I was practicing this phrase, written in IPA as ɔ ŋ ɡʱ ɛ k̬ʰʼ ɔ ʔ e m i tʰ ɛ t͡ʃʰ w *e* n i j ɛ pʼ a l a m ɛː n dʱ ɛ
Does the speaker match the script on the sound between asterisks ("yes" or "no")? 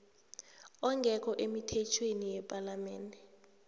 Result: yes